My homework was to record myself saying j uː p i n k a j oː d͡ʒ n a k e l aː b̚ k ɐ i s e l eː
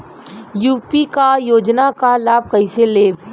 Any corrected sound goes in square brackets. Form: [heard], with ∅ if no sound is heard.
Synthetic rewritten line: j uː p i [∅] k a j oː d͡ʒ n a k [a] l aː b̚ k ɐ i s e l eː